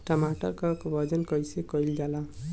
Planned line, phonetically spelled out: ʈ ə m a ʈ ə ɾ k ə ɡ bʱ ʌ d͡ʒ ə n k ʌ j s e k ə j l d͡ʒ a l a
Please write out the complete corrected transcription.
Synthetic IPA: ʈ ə m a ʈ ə ɾ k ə k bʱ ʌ d͡ʒ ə n k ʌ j s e k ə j l d͡ʒ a l a